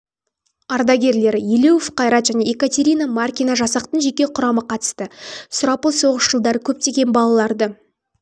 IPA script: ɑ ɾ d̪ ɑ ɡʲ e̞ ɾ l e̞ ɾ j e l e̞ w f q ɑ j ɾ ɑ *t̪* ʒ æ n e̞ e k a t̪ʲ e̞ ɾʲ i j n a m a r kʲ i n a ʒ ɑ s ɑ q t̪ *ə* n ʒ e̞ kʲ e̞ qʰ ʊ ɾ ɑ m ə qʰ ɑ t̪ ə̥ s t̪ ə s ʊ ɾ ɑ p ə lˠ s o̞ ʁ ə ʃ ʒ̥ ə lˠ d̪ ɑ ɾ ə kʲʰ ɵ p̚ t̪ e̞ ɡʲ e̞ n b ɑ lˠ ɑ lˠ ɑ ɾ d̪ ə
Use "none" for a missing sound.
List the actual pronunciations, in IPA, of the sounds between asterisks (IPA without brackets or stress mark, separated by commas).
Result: t̪, ə